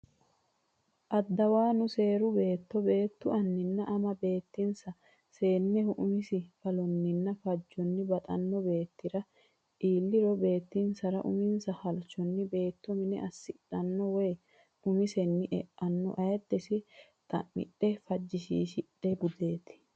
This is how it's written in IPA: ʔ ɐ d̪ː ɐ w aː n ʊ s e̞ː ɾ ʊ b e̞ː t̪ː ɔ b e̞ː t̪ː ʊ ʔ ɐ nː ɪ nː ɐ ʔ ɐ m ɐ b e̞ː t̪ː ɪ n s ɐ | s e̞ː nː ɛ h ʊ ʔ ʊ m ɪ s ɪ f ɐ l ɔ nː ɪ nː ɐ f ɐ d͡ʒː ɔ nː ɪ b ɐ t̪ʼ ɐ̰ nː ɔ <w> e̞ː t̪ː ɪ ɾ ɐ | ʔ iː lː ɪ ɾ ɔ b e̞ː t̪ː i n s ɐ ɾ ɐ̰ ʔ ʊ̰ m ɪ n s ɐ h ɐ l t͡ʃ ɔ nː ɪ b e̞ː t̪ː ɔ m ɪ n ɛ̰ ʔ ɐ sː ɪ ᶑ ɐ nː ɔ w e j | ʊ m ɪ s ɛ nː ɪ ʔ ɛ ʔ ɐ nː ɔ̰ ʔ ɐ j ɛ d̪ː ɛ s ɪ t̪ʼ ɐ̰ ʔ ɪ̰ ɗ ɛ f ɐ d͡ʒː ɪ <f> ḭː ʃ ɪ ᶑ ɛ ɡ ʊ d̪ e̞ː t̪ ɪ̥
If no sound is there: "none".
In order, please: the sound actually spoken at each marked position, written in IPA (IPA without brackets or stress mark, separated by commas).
b, ʃ